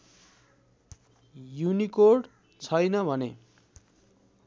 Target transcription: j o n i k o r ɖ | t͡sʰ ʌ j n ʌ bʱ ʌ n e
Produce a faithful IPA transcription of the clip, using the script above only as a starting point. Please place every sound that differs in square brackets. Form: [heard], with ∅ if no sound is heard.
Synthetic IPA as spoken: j [u] n i k o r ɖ | t͡sʰ ʌ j n ʌ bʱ ʌ n e